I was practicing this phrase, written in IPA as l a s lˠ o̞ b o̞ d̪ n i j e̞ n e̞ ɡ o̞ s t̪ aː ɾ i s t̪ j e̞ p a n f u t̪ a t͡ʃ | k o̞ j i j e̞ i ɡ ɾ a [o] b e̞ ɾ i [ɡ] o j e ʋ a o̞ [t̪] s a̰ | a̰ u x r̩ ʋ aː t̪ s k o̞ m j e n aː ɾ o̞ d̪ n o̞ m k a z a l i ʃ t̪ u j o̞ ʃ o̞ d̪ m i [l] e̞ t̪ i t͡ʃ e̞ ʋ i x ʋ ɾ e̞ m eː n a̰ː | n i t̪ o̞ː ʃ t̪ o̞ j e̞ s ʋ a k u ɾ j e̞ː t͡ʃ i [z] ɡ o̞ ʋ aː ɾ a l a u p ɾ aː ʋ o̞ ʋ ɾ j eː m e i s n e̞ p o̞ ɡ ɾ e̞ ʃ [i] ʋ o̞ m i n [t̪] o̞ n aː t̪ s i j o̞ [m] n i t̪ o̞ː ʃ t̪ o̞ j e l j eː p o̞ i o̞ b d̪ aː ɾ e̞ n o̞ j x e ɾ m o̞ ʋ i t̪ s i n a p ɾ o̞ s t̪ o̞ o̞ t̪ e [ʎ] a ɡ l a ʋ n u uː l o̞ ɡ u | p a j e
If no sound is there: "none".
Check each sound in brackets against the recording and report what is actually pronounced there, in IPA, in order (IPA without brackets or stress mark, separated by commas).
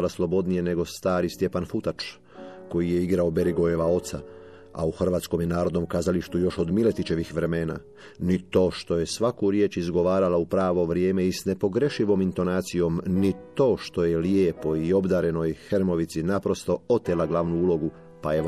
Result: o, ɡ, t̪, l, z, i, t̪, m, l